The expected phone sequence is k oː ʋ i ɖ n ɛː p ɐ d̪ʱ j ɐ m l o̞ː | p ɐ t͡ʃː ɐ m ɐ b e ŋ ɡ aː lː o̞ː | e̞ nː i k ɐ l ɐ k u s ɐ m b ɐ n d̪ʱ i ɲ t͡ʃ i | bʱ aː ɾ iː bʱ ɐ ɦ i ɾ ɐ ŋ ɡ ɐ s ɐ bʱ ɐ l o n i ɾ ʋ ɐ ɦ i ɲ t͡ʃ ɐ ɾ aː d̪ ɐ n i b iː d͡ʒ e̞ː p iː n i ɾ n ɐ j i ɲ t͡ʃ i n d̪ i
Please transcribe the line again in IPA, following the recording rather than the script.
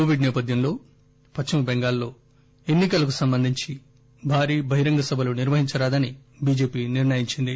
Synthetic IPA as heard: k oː ʋ i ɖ n ɛː p ɐ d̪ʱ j ɐ m l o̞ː | p ɐ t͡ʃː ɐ m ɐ b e ŋ ɡ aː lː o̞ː | e̞ nː i k ɐ l ɐ k u s ɐ m b ɐ n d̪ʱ i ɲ t͡ʃ i | bʱ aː ɾ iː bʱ ɐ ɦ i ɾ ɐ ŋ ɡ ɐ s ɐ bʱ ɐ l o n i ɾ ʋ ɐ ɦ i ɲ t͡ʃ ɐ ɾ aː d̪ ɐ n i b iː d͡ʒ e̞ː p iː n i ɾ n ɐ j i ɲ t͡ʃ i n d̪ i